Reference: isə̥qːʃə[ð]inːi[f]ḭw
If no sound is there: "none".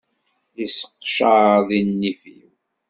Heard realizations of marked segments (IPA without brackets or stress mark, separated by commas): ð, f